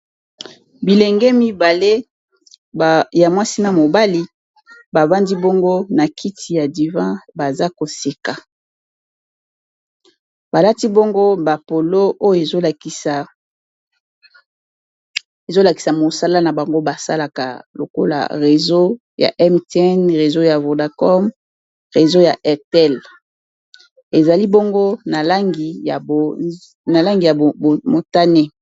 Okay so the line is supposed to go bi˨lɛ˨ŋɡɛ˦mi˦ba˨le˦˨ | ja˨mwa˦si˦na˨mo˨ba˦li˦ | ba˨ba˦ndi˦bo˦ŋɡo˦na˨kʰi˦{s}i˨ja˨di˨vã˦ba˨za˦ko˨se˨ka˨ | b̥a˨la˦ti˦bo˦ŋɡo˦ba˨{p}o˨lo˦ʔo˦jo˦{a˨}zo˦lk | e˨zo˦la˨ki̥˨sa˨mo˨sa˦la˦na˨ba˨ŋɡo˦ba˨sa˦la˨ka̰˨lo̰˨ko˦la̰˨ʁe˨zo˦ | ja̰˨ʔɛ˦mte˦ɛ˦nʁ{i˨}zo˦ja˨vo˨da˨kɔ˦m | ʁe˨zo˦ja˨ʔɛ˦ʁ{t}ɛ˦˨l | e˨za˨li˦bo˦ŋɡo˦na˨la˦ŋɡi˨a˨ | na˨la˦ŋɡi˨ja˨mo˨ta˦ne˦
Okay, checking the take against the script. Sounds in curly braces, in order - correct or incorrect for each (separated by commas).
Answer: incorrect, correct, incorrect, incorrect, correct